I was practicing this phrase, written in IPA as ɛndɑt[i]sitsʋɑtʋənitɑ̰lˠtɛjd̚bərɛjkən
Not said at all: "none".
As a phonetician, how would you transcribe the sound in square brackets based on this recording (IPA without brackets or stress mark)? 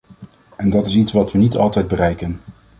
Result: ɪ